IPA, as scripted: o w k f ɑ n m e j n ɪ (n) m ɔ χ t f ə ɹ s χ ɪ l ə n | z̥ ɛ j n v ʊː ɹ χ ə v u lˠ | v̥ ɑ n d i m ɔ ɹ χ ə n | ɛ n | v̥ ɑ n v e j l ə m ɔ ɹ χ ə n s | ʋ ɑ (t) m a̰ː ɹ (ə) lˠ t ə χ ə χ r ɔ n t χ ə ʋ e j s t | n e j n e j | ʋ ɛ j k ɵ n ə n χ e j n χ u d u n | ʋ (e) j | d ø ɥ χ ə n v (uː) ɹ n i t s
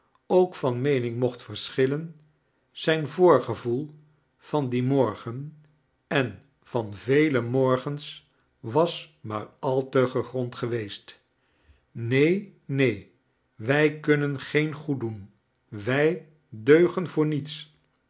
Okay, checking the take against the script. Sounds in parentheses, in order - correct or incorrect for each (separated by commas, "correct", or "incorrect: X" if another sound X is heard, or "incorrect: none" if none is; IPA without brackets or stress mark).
incorrect: ŋ, incorrect: s, incorrect: ɑ, incorrect: ɛ, incorrect: ʊː